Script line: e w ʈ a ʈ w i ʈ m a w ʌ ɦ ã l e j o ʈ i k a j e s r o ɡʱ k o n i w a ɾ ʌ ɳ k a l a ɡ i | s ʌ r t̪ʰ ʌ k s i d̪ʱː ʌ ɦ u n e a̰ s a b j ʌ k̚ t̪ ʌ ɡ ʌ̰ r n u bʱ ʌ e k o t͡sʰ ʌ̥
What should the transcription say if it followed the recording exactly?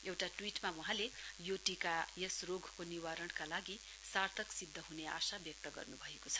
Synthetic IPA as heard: e w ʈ a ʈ w i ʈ m a w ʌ ɦ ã l e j o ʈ i k a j e s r o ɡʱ k o n i w a ɾ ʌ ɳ k a l a ɡ i | s a r t̪ʰ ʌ k s i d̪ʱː ʌ ɦ u n e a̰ s a b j ʌ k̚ t̪ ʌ ɡ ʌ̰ r n u bʱ ʌ e k o t͡sʰ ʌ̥